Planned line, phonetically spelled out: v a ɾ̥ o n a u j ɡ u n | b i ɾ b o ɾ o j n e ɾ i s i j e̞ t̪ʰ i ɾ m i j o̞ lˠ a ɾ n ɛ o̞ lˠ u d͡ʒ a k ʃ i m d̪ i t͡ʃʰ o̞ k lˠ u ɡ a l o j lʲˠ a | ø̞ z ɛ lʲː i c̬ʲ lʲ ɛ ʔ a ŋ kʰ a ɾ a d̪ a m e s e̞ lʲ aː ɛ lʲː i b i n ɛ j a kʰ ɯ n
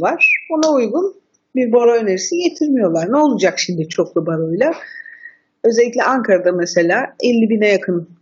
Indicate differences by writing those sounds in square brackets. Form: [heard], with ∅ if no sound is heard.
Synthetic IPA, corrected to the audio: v a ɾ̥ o n a u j ɡ u n | b i ɾ b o ɾ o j n e ɾ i s i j e̞ t̪ʰ i ɾ m i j o̞ lˠ a ɾ n ɛ o̞ lˠ u d͡ʒ a k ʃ i m d̪ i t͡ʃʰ o̞ k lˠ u [b] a [ɾ] o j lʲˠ a | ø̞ z ɛ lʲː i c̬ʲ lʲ ɛ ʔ a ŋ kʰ a ɾ a d̪ a m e s e̞ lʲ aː ɛ lʲː i b i n ɛ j a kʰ ɯ n